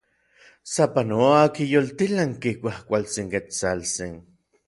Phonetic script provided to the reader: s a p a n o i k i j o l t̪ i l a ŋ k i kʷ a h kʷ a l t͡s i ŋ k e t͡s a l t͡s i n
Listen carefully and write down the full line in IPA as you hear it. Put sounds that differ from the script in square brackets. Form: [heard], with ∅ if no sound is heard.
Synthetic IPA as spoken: s a p a n o [a] k i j o l t̪ i l a ŋ k i kʷ a h kʷ a l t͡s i ŋ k e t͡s a l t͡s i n